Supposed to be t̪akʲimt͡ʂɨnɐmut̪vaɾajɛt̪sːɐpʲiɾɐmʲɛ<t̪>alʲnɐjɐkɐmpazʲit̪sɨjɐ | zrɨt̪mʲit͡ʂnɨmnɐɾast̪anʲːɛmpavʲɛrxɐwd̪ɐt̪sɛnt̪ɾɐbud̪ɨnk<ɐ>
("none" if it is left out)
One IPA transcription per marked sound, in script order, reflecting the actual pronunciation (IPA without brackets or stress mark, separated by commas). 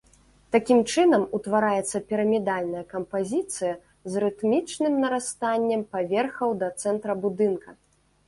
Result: d̪, ɐ